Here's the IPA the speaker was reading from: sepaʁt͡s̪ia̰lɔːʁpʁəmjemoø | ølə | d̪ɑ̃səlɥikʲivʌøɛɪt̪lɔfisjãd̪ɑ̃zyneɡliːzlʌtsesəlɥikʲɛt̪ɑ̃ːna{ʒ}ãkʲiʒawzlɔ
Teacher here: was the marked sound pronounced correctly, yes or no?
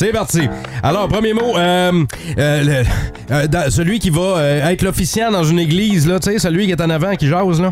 no